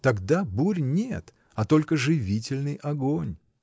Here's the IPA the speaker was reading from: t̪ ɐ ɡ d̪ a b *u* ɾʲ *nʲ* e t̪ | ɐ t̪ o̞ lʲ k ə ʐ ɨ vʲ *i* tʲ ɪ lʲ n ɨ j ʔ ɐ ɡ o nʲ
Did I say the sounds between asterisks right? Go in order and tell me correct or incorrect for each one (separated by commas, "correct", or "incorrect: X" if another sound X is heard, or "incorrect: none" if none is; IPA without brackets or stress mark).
correct, correct, correct